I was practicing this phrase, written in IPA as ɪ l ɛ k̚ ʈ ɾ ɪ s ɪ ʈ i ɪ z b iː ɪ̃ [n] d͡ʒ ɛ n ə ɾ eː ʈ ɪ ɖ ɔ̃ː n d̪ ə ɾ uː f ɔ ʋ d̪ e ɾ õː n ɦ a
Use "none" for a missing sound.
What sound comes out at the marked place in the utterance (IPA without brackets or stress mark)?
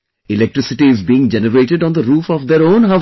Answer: ŋ